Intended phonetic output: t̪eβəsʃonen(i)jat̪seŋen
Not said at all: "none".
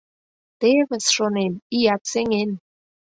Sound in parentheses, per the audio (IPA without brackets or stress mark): i